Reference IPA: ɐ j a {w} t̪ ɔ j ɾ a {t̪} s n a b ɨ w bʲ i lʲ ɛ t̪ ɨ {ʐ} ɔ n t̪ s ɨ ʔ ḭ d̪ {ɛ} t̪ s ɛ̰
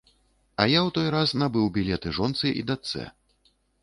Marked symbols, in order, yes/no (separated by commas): yes, no, yes, no